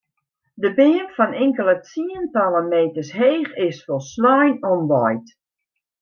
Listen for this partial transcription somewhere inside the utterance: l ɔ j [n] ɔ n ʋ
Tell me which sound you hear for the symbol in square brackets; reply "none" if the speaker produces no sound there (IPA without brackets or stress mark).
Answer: n